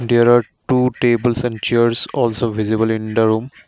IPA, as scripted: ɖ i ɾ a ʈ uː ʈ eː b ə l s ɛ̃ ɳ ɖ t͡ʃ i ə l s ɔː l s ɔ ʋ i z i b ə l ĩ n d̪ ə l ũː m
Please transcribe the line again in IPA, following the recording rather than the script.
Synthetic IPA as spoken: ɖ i ɾ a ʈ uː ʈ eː b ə l s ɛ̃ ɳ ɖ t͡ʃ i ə ɾ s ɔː l s o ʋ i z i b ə l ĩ n d̪ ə ɾ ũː m